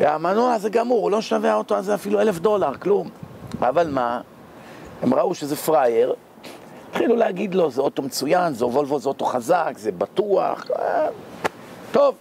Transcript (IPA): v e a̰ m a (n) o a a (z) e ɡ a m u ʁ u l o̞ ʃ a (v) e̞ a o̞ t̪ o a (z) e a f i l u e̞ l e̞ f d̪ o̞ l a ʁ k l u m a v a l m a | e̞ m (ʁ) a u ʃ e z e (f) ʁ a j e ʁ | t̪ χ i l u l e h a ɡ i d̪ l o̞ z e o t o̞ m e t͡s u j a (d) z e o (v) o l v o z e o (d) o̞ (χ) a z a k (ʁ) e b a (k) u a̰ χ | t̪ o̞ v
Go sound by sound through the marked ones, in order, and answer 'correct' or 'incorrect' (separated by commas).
correct, correct, correct, correct, correct, correct, incorrect, correct, incorrect, correct, incorrect, incorrect